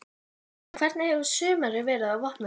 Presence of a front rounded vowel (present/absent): present